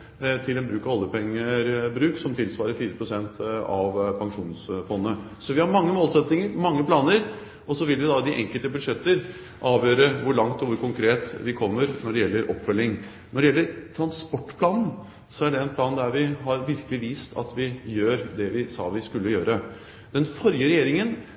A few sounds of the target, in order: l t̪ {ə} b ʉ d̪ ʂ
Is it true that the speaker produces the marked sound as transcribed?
yes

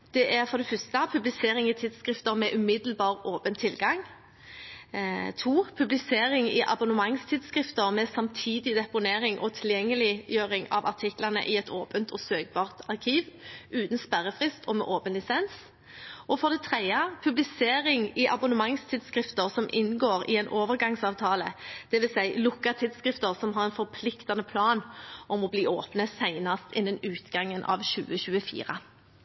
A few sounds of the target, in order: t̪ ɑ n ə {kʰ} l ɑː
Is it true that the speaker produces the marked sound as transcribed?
no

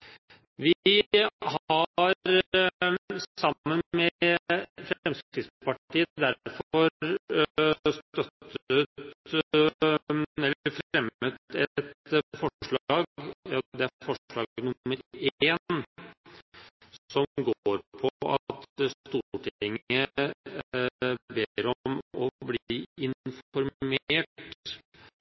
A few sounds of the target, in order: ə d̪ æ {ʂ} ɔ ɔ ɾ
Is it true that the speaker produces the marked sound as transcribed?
no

